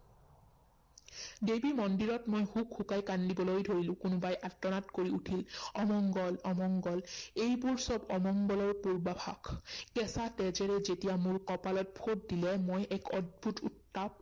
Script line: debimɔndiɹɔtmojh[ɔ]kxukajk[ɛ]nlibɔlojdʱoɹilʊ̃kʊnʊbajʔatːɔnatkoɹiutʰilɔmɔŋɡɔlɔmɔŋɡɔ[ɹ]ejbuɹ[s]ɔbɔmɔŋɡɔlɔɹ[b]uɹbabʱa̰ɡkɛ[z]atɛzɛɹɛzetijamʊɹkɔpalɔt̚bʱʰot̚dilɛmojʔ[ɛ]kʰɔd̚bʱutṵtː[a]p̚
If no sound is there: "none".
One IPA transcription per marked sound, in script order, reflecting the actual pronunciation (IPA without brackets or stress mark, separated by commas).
u, a, l, s, p, s, ɛ, a